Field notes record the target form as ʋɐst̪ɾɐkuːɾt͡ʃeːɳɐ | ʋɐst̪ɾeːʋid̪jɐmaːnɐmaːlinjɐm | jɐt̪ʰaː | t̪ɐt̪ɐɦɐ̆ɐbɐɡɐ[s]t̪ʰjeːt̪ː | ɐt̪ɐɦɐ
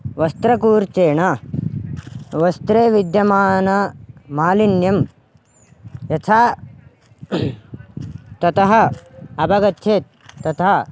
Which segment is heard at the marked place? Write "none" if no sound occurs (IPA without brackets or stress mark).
none